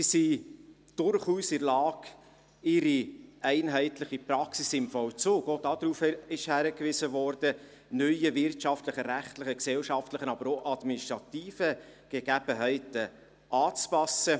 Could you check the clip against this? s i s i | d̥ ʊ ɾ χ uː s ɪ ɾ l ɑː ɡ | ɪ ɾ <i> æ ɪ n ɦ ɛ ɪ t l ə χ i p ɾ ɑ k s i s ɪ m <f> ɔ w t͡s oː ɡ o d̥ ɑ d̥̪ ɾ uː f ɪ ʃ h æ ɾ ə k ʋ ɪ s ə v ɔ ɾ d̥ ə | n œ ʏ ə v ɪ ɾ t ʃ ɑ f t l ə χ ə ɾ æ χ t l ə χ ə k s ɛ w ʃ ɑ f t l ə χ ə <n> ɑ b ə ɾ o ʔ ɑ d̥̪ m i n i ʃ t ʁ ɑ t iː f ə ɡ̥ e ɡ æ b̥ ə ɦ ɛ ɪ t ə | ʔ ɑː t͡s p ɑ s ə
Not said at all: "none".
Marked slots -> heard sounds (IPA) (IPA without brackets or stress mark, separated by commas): i, f, n